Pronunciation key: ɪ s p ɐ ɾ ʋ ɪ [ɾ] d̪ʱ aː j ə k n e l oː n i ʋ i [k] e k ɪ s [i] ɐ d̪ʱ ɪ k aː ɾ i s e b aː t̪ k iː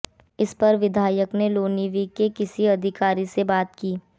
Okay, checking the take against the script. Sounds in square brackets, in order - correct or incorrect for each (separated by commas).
incorrect, correct, correct